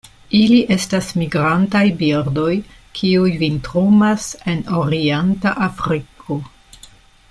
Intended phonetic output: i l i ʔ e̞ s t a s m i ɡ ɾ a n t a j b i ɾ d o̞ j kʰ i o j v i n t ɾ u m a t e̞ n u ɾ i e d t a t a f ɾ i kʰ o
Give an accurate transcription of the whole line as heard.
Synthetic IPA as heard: i l i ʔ e̞ s t a s m i ɡ ɾ a n t a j b i ɾ d o̞ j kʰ i u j v i n t ɾ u m a s e̞ n o ɾ i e n t a ʔ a f ɾ i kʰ o